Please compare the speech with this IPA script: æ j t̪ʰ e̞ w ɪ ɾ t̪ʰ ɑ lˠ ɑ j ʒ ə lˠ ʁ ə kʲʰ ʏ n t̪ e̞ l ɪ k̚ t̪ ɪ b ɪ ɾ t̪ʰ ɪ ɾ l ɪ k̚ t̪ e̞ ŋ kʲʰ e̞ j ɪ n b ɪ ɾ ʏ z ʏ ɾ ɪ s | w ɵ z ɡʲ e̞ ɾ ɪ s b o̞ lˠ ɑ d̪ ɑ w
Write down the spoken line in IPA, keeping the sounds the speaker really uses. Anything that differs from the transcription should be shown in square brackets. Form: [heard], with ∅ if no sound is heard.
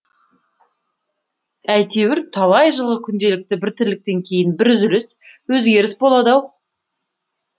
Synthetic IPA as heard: æ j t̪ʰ e̞ w ɪ ɾ t̪ʰ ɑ lˠ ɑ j ʒ ə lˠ ʁ ə kʲʰ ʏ n [d̪] e̞ l ɪ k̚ t̪ ɪ b ɪ ɾ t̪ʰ ɪ ɾ l ɪ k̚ t̪ e̞ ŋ kʲʰ e̞ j ɪ n b ɪ ɾ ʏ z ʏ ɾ ɪ s | w ɵ z ɡʲ e̞ ɾ ɪ s b o̞ lˠ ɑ d̪ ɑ w